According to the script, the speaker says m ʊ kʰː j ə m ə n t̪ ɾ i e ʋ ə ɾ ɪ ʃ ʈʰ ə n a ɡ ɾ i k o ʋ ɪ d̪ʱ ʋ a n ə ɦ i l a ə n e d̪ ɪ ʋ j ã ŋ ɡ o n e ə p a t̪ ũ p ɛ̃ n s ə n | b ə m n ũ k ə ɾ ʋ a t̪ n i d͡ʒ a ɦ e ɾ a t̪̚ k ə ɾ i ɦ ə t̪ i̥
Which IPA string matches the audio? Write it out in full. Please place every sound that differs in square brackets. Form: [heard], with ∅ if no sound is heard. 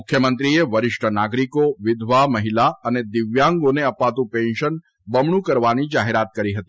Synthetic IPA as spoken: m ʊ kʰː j ə m ə n t̪ ɾ i e ʋ ə ɾ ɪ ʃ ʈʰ ə n a ɡ ɾ i k o ʋ ɪ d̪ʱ ʋ a [m] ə ɦ i l a ə n e d̪ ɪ ʋ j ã ŋ ɡ o n e ə p a t̪ ũ p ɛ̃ n [ʃ] ə n | b ə m [ɳ] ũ k ə ɾ ʋ a [∅] n i d͡ʒ a ɦ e ɾ a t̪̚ k ə ɾ i ɦ ə t̪ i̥